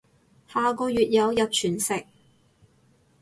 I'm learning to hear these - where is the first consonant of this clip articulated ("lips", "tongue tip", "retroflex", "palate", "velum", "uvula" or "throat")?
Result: throat